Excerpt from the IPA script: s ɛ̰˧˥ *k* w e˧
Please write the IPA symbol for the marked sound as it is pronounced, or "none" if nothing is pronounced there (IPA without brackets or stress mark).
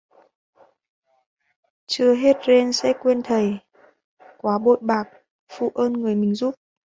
k